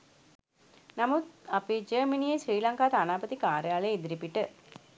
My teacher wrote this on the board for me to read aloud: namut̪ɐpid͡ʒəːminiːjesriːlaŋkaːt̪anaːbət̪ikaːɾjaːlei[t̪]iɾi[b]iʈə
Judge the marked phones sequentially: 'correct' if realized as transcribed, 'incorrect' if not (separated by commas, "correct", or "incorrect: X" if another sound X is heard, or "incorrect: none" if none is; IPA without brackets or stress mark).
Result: incorrect: d̪, incorrect: p